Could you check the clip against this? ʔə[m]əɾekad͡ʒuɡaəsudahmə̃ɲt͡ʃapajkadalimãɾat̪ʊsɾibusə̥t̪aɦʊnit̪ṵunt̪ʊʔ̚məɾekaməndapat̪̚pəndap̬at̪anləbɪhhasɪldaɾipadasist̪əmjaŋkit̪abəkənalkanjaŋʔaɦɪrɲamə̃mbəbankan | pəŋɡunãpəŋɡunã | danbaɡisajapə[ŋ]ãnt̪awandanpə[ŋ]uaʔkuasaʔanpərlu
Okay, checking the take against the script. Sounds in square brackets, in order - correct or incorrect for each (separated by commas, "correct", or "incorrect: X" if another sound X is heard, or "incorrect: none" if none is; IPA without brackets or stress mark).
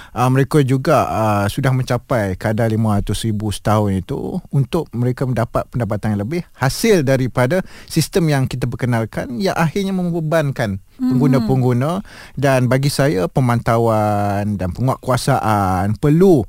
correct, incorrect: m, correct